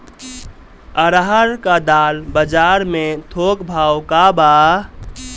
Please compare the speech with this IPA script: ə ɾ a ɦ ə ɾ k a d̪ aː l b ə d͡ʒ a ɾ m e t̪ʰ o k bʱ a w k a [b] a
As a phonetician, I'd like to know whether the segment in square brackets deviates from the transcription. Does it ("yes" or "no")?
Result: no